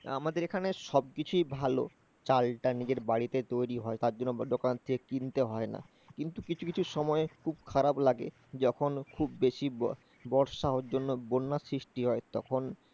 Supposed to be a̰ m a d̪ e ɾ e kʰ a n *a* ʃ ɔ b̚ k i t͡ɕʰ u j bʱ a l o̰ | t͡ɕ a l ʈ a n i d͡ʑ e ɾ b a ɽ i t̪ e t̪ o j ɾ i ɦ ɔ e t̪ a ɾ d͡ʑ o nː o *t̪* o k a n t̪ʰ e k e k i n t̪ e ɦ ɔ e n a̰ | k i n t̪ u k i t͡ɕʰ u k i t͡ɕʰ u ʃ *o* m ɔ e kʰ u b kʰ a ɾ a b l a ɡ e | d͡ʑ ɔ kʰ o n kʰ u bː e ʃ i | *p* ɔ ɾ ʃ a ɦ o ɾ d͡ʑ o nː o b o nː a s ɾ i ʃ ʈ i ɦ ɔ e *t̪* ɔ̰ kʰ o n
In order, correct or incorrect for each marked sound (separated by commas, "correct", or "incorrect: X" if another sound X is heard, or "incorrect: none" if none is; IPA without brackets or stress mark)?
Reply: incorrect: e, incorrect: d̪, incorrect: ɔ, incorrect: b, correct